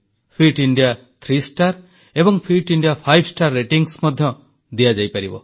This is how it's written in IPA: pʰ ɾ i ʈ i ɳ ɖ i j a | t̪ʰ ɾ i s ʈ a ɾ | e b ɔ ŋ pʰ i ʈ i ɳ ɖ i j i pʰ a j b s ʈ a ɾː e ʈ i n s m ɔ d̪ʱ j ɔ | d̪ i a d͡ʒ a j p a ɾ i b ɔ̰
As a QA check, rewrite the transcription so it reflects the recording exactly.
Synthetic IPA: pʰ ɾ i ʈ i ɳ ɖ i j a | t̪ʰ ɾ i s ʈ a ɾ | e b ɔ ŋ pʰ i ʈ i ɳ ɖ i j a pʰ a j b s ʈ a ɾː e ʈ i ŋ s m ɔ d̪ʱ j ɔ | d̪ i a d͡ʒ a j p a ɾ i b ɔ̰